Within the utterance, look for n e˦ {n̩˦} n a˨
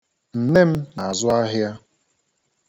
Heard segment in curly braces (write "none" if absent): m̩˦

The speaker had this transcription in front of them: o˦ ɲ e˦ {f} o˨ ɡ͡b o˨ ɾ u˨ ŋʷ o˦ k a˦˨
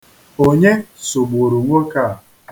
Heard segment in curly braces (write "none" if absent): s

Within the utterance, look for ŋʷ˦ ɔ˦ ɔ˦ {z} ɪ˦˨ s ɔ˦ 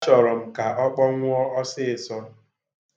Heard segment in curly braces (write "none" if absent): s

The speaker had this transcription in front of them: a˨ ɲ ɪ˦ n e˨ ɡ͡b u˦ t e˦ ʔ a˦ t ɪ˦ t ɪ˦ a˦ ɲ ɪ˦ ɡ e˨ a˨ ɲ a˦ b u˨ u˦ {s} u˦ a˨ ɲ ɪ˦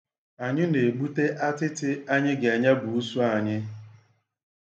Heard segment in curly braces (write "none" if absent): s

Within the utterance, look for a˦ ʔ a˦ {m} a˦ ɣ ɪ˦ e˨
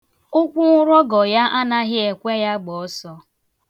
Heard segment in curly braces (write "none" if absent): n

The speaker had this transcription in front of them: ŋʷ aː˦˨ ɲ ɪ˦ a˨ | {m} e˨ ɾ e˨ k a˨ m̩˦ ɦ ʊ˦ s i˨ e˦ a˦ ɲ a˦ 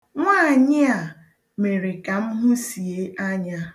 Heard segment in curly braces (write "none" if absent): m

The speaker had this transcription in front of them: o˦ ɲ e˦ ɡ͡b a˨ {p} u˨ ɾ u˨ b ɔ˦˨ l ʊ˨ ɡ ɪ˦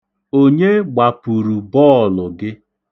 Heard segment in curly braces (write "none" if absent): p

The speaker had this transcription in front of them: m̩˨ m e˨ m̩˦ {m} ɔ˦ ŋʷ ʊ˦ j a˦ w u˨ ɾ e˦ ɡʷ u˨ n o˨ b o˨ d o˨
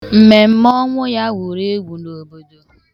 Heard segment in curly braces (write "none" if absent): m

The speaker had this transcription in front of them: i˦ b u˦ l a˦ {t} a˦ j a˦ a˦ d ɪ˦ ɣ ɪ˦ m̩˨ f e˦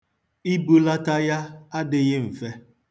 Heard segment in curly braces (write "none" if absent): t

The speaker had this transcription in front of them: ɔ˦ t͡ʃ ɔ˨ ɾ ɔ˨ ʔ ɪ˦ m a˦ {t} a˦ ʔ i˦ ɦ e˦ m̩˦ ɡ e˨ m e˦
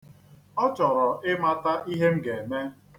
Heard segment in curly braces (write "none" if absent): t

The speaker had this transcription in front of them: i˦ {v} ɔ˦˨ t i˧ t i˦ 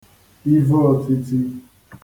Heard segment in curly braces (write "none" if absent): v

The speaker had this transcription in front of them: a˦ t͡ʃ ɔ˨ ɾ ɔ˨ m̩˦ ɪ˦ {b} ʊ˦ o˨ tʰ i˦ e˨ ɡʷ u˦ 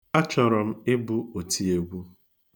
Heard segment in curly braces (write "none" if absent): b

